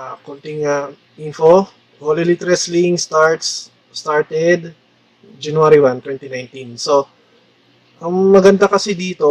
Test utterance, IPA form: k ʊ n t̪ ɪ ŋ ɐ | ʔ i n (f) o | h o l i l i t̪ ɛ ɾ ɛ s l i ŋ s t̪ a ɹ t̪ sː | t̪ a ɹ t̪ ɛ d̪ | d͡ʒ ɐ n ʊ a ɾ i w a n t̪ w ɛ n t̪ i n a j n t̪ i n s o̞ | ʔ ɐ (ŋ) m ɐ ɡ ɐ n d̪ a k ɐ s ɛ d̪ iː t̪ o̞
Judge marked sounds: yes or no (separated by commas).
yes, yes